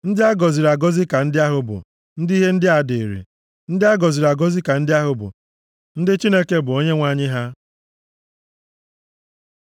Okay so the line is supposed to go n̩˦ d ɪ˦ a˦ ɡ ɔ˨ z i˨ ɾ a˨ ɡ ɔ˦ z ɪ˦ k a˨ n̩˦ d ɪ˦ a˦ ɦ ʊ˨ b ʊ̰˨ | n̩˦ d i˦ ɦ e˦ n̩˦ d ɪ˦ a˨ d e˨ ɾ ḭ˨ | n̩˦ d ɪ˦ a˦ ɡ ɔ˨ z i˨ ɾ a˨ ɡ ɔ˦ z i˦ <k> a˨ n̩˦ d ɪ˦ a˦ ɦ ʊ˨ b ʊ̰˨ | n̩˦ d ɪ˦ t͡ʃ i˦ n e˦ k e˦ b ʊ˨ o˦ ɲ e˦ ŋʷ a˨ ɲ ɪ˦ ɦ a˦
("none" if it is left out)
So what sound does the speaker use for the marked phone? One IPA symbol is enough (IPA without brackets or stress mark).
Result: k